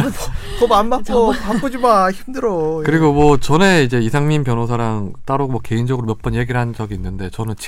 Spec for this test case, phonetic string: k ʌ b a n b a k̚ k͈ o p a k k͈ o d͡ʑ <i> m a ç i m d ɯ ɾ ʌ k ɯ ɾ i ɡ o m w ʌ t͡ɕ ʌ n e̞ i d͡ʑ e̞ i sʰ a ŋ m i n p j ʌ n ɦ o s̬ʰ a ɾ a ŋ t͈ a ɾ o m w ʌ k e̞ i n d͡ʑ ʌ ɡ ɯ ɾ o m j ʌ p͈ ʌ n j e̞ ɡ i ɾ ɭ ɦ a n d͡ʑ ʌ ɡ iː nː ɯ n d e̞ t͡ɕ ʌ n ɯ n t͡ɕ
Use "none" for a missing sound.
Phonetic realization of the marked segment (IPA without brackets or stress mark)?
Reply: i